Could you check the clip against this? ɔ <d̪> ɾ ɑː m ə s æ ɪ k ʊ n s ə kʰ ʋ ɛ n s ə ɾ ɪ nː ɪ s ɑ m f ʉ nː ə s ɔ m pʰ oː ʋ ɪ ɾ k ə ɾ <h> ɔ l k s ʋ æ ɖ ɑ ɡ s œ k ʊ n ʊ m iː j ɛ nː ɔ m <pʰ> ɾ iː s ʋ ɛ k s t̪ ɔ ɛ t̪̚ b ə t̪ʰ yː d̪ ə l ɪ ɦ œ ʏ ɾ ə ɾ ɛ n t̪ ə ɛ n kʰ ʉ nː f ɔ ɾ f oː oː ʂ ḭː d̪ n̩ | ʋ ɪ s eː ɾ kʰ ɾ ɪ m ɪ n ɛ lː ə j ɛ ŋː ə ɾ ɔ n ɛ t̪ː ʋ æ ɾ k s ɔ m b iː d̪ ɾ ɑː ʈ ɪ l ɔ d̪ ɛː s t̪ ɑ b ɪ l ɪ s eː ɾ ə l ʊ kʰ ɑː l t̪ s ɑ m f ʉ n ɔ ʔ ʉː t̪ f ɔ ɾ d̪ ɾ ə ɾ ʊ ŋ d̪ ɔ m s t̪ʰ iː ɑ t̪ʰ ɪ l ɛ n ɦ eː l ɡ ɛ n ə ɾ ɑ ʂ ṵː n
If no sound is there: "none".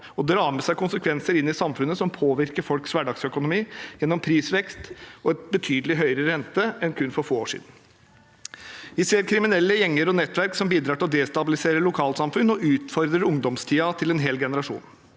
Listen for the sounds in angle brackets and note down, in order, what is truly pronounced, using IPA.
d̪, f, pʰ

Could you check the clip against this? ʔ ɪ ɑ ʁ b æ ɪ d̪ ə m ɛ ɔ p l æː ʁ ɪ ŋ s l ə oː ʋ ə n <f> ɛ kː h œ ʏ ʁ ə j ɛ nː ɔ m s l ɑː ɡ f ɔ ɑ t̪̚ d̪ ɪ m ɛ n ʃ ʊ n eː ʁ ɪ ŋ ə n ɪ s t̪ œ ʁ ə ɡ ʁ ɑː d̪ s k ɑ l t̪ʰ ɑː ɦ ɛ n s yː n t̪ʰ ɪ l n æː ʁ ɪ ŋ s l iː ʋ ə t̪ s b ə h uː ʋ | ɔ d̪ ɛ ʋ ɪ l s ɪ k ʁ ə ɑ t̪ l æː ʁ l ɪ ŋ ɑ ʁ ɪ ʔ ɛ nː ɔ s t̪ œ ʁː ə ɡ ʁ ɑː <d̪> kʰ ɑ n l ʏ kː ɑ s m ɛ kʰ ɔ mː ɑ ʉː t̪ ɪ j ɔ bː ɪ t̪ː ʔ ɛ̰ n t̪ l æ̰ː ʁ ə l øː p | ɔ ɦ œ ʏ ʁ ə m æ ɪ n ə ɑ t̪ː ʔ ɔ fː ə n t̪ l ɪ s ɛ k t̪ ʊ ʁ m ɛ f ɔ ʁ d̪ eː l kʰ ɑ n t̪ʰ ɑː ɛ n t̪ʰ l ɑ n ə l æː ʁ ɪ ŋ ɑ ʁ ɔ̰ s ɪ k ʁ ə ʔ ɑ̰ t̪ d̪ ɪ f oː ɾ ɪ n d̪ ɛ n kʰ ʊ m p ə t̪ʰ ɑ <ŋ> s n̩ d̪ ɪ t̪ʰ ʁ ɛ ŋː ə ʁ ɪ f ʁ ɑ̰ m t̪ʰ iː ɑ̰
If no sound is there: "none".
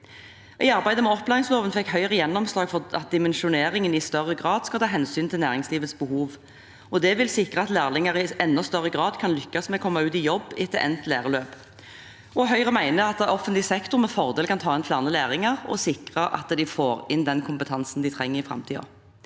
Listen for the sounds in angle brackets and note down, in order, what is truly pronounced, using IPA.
f, d̪, n

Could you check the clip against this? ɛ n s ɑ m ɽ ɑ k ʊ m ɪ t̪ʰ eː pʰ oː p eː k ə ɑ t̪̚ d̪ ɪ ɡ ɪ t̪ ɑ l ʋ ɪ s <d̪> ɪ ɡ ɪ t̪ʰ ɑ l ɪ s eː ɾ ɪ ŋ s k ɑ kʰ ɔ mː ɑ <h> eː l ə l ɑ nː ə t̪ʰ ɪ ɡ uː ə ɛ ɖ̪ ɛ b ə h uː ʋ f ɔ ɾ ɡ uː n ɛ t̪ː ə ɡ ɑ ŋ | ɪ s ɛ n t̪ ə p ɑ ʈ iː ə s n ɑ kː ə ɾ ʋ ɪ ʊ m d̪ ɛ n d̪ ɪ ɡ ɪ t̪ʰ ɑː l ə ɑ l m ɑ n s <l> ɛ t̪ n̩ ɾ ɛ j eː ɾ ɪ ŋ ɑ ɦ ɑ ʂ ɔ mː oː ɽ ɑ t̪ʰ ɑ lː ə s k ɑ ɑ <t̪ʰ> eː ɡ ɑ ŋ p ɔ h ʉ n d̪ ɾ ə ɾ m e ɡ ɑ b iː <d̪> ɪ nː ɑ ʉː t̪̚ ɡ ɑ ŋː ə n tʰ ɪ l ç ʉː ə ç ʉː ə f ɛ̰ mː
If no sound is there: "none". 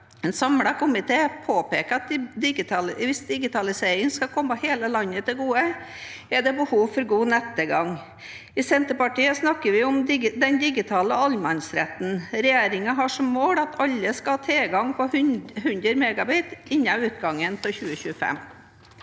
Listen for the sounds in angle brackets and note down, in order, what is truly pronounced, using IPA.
d̪, h, ɾ, t̪ʰ, t̪

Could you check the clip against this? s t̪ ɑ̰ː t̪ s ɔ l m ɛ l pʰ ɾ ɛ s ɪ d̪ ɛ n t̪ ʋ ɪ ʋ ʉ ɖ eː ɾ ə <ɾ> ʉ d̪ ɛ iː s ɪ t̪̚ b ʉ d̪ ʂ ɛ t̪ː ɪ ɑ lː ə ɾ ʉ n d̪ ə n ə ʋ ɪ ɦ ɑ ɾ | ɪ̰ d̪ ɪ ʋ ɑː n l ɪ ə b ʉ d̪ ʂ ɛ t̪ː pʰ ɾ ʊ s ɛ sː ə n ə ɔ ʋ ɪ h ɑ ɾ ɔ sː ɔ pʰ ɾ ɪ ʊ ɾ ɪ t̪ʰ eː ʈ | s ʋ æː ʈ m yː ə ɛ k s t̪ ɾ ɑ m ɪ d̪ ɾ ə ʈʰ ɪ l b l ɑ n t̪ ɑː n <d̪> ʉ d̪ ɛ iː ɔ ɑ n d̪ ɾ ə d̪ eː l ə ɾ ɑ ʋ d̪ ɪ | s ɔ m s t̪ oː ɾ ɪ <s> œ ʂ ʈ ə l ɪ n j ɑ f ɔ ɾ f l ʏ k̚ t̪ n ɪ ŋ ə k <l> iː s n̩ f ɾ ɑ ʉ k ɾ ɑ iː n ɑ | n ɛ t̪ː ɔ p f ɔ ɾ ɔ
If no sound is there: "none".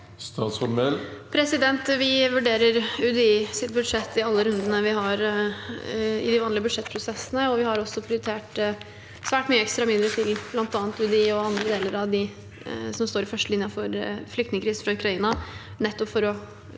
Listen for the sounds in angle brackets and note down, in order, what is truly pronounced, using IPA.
ɾ, t̪, f, ɾ

